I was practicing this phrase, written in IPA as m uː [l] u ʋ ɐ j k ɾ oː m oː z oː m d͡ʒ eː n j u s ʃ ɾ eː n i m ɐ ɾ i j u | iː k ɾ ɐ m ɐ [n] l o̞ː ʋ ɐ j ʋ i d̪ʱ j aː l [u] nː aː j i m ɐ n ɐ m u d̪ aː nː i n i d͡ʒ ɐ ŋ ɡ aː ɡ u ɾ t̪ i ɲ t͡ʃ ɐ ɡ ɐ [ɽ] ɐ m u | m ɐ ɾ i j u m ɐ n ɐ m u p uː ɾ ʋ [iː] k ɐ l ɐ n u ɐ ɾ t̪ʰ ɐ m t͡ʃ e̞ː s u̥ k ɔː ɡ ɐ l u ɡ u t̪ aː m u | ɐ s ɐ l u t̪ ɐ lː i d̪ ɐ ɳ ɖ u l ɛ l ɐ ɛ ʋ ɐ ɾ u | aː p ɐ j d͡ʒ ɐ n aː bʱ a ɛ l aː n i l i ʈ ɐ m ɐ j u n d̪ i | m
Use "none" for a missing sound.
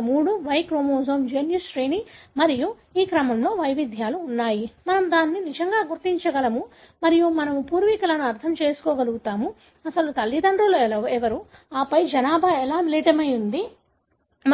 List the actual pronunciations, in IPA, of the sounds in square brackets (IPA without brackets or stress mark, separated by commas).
ɽ, m, uː, l, i